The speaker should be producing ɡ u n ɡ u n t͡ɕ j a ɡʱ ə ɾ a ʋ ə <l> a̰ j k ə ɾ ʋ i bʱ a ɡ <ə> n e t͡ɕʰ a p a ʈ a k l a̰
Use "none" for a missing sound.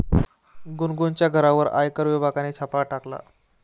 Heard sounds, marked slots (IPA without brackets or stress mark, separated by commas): ɾ, a